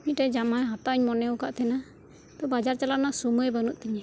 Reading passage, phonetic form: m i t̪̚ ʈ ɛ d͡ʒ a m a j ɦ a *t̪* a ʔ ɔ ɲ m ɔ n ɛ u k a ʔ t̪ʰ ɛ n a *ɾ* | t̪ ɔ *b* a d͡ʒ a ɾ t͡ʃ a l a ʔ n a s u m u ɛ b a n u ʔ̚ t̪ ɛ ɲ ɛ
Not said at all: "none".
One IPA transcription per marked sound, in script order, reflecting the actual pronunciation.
t̪, none, b

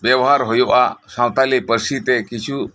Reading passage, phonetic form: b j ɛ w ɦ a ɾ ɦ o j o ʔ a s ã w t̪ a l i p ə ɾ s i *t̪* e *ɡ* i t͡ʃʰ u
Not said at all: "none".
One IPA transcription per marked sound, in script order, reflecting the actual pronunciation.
t̪, k

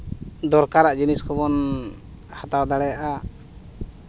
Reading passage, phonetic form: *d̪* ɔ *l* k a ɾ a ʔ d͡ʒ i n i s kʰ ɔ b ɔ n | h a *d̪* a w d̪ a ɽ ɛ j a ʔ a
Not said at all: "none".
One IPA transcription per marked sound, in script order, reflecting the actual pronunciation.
d̪, ɾ, t̪

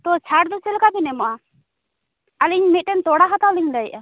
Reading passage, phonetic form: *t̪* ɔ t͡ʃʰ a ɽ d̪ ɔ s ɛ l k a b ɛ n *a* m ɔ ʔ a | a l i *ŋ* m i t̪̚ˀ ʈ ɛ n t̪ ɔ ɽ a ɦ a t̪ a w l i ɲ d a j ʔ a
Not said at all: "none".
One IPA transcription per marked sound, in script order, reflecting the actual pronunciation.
t̪, ɛ, ɲ

